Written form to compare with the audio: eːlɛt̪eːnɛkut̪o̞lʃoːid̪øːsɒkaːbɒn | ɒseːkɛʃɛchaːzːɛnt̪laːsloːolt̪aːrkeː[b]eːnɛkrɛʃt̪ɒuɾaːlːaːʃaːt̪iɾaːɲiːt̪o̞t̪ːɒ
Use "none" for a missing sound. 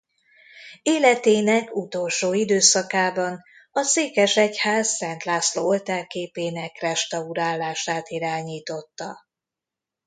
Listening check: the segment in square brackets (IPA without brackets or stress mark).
p